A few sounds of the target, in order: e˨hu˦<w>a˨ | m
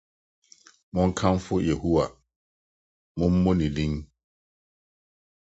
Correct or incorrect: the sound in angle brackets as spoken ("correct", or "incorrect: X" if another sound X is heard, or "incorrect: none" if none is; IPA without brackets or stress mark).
correct